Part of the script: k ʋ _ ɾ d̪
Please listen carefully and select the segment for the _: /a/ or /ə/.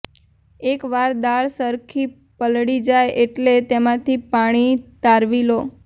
a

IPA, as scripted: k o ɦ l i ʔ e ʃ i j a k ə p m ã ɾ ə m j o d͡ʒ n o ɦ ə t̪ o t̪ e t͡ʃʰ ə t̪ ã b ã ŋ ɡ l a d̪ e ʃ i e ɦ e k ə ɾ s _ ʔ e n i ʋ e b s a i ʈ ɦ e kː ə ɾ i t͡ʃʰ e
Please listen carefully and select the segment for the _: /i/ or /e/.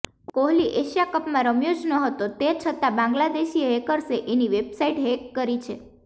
e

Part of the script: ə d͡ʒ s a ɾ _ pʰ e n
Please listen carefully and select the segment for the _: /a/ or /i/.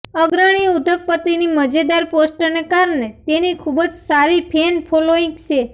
i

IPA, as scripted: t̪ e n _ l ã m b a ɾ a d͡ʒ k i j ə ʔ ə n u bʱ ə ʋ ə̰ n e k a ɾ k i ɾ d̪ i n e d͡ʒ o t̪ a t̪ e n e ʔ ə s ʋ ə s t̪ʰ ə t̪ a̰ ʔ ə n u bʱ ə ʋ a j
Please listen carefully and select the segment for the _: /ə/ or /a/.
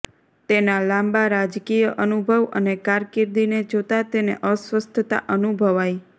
a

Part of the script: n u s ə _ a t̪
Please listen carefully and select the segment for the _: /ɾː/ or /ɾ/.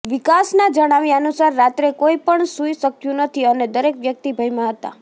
ɾː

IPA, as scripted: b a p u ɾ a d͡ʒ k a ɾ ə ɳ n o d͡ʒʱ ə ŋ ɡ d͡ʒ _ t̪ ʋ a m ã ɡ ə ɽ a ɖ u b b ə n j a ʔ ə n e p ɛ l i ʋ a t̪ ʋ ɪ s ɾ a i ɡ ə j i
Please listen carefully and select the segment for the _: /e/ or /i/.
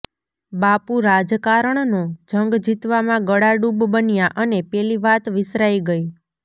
i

